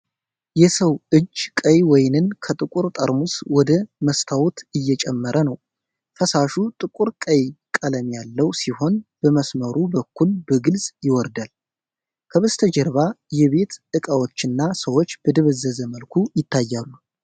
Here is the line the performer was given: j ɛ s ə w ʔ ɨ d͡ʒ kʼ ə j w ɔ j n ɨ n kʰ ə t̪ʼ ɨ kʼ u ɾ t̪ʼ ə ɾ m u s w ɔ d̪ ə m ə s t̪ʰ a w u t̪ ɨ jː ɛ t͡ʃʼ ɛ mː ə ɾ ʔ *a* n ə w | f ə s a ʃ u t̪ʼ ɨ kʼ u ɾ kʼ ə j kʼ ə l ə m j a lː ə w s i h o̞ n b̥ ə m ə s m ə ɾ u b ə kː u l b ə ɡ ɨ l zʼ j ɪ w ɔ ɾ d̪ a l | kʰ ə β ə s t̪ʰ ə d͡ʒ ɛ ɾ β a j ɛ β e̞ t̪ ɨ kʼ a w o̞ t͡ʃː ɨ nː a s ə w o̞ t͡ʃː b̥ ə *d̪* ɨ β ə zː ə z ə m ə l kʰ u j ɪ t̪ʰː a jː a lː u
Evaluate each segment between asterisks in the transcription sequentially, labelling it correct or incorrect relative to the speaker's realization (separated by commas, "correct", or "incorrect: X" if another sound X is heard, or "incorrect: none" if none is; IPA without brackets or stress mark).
incorrect: ə, correct